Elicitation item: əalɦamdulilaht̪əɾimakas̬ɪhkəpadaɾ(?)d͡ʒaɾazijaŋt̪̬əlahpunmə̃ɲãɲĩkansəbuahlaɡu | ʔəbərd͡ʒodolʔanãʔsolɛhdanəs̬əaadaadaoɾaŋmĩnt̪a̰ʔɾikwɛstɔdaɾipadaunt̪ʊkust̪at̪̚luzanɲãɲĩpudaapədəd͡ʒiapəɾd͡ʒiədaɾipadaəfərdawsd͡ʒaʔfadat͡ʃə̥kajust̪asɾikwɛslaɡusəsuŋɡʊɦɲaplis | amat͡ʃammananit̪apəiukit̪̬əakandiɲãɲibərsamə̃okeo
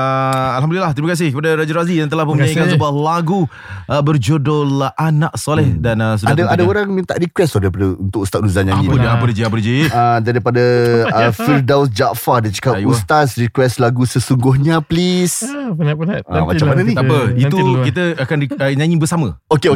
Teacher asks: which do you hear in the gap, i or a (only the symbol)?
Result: a